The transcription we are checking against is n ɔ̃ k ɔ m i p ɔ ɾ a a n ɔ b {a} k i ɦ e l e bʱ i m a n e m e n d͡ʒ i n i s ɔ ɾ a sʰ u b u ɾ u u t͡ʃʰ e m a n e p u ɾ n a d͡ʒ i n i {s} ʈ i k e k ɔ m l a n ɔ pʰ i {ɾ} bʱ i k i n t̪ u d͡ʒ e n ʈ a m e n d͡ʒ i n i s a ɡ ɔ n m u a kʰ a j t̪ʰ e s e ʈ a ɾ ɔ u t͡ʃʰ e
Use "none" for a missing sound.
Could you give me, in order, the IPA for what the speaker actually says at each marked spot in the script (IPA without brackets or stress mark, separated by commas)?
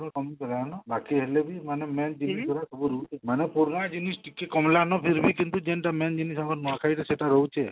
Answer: a, s, ɾ